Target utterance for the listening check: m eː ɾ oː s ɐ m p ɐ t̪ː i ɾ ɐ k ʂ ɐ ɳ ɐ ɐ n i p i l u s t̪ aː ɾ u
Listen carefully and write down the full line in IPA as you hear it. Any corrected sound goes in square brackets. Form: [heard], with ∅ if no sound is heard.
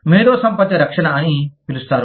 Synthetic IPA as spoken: m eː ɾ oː s ɐ m p ɐ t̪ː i ɾ ɐ k ʂ ɐ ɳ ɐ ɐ n i p i l u s t̪ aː ɾ u